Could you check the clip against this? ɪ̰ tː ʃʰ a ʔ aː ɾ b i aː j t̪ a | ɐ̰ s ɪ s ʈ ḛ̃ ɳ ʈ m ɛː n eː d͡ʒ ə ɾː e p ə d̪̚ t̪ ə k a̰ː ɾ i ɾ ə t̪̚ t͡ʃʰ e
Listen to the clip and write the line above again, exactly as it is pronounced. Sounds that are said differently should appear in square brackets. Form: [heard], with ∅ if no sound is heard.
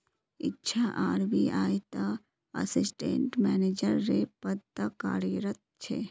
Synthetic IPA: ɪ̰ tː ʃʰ a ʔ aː ɾ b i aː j t̪ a | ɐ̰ s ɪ s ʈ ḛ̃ ɳ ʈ m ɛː n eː d͡ʒ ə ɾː e p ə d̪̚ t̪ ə k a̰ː ɾ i ɾ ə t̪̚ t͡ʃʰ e